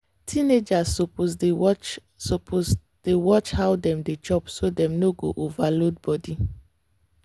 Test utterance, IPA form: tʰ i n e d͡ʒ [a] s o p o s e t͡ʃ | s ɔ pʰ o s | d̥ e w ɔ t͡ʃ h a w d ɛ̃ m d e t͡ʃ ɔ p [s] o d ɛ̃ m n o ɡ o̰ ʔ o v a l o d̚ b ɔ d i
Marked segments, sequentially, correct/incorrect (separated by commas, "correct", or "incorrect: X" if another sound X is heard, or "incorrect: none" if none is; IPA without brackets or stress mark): correct, correct